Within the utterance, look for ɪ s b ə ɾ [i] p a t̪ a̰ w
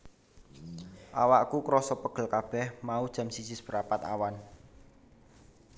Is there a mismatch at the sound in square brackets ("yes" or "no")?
yes